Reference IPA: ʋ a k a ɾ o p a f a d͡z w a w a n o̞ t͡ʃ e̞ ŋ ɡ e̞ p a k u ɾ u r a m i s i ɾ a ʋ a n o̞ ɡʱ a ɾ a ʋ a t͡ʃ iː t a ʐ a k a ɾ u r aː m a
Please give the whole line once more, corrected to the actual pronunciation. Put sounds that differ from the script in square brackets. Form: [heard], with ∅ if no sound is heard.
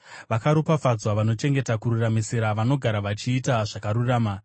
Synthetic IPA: ʋ a k a ɾ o p a f a d͡z w a [ʋ] a n o̞ t͡ʃ e̞ ŋ ɡ e̞ [t] a k u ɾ u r a m i s i ɾ a ʋ a n o̞ ɡʱ a ɾ a ʋ a t͡ʃ iː t a ʐ a k a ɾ u r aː m a